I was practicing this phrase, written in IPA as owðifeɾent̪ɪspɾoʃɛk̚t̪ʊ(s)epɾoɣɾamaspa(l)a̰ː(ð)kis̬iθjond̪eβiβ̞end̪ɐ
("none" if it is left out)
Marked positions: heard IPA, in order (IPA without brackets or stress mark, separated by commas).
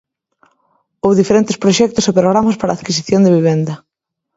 s, ɾ, ð